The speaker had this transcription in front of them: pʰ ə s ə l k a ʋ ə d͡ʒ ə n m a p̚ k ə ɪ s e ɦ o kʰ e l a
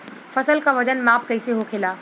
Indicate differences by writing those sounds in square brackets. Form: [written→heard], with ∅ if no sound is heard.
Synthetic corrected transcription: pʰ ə s ə l k a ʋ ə d͡ʒ ə n m a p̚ k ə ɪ s e ɦ o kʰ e l a